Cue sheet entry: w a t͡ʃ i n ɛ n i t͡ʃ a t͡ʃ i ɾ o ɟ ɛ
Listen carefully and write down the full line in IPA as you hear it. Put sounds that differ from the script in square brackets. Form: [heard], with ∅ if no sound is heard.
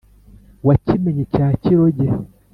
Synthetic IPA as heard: w a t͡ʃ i [m] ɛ [ɲ] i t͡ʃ a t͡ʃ i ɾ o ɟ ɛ

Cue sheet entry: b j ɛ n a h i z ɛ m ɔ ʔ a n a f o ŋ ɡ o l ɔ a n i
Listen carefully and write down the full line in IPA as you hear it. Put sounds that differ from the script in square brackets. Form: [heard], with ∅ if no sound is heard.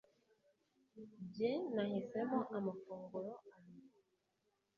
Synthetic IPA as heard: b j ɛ n a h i [s] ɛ m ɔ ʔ a [m] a f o ŋ ɡ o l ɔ a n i

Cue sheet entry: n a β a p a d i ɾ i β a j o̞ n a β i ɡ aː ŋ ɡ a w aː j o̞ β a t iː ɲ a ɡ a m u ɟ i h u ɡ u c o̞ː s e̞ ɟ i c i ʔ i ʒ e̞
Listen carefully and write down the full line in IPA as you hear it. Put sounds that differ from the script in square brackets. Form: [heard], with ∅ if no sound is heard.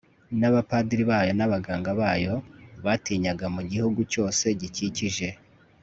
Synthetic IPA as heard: n a β a p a d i ɾ i β a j o̞ n a β [a] ɡ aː ŋ ɡ a [β] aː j o̞ β a t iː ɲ a ɡ a m u ɟ i h u ɡ u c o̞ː s e̞ ɟ i c i [c] i ʒ e̞

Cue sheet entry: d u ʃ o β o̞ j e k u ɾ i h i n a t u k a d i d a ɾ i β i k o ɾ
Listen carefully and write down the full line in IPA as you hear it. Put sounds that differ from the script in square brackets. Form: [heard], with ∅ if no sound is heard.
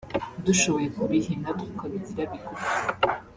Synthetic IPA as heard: d u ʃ o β o̞ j e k u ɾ i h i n a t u k a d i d [i] ɾ [a] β i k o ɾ

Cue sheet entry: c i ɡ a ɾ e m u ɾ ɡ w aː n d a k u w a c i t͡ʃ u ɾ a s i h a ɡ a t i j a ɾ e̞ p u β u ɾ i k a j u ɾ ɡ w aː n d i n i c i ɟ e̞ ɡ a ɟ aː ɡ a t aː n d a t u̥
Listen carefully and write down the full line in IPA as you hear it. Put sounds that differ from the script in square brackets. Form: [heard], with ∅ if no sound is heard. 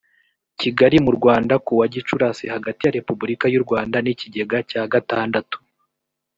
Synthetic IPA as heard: c i ɡ a ɾ [i] m u ɾ ɡ w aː n d a k u w a [ɟ] i t͡ʃ u ɾ a s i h a ɡ a t i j a ɾ e̞ p u [b] u ɾ i k a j u ɾ ɡ w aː n d [a] n i c i ɟ e̞ ɡ a [c] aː ɡ a t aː n d a t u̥

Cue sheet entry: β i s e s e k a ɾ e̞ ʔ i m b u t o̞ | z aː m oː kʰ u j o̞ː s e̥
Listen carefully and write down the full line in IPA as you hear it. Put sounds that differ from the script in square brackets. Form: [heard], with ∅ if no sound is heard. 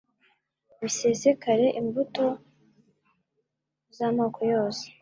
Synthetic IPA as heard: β i s e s e k a ɾ e̞ ʔ i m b u t o̞ | z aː m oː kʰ [o] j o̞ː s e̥

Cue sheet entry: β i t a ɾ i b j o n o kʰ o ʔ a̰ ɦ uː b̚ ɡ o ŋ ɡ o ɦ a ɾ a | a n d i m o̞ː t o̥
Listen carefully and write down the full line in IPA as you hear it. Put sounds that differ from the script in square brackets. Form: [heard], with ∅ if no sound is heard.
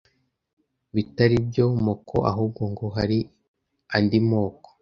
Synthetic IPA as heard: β i t a ɾ i b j o [m] o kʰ o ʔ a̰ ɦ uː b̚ ɡ o ŋ ɡ o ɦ a ɾ [i] | a n d i m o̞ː [k] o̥

